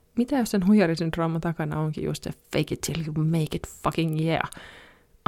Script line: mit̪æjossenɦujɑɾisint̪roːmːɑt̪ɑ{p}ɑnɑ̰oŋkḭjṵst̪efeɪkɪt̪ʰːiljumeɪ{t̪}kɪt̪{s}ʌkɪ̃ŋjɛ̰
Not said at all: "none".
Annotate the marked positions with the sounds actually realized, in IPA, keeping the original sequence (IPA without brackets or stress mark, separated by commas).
k, none, f